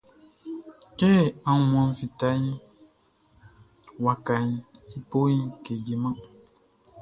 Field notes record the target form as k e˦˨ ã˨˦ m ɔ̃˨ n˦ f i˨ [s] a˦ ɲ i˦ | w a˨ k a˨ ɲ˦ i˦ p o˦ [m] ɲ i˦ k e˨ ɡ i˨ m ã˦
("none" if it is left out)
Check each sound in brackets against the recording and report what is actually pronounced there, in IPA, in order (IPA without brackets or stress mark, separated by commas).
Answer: t, none